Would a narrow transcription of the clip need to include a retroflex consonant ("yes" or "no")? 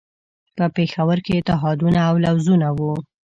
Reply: no